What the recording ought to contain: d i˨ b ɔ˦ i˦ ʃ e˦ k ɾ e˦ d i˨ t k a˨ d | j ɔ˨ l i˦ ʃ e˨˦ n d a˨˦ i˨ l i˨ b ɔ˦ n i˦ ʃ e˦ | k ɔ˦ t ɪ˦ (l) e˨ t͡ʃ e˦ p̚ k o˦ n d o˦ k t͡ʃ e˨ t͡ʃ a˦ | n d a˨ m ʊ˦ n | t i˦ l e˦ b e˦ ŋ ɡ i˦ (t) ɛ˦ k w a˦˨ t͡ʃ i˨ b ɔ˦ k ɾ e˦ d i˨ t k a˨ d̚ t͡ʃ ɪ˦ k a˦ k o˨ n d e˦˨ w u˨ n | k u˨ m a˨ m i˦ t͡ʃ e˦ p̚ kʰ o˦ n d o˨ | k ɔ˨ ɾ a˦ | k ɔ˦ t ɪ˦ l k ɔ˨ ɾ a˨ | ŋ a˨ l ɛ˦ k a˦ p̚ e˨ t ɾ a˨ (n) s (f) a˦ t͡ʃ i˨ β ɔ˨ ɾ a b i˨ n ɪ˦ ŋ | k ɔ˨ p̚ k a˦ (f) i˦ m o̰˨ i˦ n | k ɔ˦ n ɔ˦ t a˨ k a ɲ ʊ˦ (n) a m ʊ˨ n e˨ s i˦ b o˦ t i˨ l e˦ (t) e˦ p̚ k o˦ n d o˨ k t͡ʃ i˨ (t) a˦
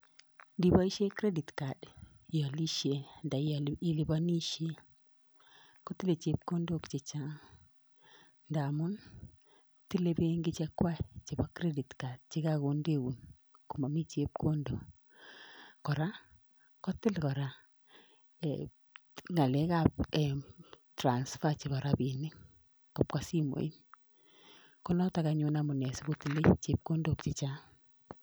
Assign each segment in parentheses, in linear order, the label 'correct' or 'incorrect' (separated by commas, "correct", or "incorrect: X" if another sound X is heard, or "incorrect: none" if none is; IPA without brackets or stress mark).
correct, incorrect: t͡ʃ, correct, correct, incorrect: s, correct, incorrect: t͡ʃ, incorrect: t͡ʃ